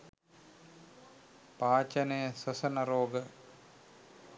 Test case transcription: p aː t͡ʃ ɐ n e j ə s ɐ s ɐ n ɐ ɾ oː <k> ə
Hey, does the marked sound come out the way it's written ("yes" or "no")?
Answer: no